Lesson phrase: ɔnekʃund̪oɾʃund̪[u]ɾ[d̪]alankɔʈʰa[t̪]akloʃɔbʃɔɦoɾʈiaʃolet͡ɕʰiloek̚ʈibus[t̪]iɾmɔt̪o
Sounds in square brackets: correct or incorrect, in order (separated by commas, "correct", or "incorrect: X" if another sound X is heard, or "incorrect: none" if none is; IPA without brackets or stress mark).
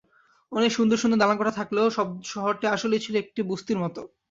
incorrect: o, correct, incorrect: t̪ʰ, correct